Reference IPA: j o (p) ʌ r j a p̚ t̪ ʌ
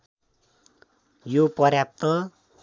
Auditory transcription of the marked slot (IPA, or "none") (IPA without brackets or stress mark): p